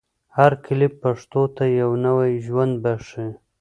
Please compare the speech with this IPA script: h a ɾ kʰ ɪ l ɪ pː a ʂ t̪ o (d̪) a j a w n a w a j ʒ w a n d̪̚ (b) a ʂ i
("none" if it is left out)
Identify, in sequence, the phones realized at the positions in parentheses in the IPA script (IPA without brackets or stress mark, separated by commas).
t̪, b